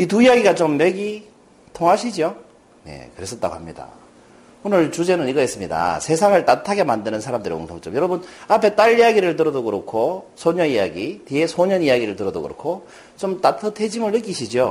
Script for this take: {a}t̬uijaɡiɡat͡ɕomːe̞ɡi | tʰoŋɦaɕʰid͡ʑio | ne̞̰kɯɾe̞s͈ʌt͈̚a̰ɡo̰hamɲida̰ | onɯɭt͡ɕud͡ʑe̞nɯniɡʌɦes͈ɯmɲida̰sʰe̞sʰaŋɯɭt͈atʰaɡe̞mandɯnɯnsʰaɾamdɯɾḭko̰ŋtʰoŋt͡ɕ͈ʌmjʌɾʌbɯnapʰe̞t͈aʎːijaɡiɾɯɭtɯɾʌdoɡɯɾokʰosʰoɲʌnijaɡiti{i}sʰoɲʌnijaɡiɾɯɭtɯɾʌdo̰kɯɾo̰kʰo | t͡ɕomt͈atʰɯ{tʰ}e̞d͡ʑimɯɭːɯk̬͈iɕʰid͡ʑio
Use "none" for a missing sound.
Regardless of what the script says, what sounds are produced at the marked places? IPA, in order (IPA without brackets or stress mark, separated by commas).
i, e, tʰ